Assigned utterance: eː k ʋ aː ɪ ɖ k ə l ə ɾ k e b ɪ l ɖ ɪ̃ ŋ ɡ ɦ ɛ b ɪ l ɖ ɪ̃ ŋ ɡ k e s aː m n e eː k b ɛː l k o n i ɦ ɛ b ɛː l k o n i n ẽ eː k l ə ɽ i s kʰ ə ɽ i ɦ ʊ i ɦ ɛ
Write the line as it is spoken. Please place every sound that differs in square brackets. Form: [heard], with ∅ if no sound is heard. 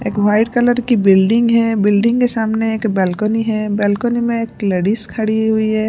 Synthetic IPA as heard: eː k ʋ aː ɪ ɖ k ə l ə ɾ k [i] b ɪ l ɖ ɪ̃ ŋ ɡ ɦ ɛ b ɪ l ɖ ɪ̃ ŋ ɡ k e s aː m n e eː k b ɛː l k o n i ɦ ɛ b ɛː l k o n i [m] ẽ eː k l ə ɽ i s kʰ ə ɽ i ɦ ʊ i ɦ ɛ